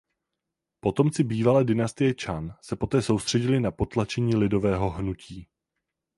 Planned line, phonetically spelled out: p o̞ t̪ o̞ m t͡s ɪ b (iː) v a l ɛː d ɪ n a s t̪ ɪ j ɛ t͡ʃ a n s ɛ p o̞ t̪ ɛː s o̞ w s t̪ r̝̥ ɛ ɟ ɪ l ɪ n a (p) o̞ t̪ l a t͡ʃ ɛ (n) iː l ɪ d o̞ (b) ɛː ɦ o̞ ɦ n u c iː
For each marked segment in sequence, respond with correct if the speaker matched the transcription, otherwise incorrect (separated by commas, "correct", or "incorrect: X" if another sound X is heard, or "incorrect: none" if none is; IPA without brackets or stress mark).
correct, correct, incorrect: ɲ, incorrect: v